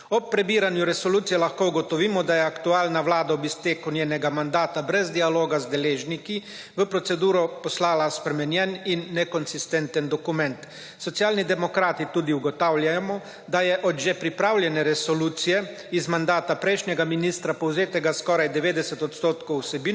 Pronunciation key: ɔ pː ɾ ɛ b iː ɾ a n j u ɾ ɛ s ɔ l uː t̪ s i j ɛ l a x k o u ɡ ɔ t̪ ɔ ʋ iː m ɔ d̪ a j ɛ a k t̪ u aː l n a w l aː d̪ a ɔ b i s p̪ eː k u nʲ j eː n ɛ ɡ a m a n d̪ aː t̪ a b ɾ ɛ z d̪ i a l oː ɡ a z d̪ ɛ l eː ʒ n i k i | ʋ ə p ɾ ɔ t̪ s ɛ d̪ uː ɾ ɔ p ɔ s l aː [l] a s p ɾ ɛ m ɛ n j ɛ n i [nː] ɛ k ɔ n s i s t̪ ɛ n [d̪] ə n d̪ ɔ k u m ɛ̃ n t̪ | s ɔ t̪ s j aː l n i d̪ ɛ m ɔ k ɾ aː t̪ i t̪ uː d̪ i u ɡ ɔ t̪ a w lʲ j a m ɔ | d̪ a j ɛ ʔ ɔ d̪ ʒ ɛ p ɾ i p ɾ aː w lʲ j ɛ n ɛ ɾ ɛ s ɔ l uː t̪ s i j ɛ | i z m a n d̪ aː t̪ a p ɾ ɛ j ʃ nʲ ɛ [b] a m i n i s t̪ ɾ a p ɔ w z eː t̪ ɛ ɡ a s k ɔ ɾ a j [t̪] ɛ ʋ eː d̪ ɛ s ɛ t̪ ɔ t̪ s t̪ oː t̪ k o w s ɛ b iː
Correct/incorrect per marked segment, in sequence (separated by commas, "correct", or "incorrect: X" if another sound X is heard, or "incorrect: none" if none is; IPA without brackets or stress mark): correct, correct, incorrect: t̪, incorrect: ɡ, incorrect: d̪